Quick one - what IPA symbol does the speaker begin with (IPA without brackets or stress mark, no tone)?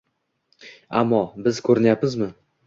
a